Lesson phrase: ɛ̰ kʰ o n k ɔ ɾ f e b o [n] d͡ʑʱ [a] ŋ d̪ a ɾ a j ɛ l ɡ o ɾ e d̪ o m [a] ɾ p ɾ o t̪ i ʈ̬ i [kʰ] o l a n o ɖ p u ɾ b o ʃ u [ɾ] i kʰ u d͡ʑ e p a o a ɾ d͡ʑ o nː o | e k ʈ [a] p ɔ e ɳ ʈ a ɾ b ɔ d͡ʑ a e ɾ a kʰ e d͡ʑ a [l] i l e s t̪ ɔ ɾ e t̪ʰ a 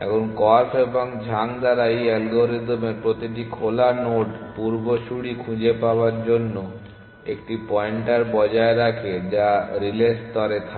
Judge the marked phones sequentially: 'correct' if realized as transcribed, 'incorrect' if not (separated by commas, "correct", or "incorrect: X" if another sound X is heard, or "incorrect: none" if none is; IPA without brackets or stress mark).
incorrect: ŋ, correct, incorrect: e, correct, incorrect: ɽ, incorrect: i, incorrect: ɾ